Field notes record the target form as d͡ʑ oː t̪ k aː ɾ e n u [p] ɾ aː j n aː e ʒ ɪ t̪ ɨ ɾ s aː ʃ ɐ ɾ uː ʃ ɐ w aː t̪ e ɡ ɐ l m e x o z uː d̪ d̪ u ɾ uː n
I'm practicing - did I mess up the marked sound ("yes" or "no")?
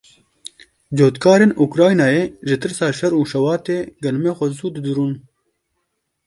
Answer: yes